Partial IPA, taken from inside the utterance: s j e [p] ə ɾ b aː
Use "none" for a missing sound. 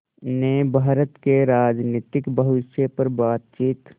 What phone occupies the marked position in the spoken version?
p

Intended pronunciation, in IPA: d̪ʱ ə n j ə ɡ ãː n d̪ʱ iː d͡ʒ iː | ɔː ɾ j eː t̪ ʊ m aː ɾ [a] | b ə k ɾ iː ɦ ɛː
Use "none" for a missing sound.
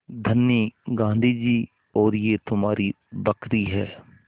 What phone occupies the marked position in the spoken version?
i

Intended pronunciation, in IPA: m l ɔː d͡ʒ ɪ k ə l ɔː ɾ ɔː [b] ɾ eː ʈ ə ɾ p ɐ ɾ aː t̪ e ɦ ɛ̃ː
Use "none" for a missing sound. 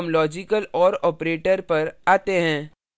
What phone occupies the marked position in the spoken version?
p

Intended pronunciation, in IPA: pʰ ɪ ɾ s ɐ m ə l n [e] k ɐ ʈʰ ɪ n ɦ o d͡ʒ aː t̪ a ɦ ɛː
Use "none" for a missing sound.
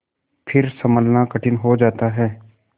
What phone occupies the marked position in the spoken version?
a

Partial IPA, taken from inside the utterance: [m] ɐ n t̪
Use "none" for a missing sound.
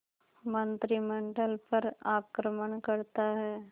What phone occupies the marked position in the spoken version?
m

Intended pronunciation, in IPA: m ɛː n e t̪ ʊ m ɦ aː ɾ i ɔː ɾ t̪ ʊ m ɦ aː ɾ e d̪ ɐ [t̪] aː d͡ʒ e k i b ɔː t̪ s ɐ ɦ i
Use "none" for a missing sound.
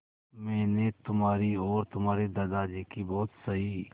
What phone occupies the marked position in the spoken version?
d̪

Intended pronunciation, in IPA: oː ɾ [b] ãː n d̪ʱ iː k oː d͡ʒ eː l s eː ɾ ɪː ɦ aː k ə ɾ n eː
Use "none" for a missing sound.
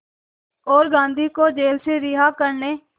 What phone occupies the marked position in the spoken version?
ɡ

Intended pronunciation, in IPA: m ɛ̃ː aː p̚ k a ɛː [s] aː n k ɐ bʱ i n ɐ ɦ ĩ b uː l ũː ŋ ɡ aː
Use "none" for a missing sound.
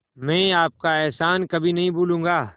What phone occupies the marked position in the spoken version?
s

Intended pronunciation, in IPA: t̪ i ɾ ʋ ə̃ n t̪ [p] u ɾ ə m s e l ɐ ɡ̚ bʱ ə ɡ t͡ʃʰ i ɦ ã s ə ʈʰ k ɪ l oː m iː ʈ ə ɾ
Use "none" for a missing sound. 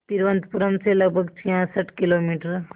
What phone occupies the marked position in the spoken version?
p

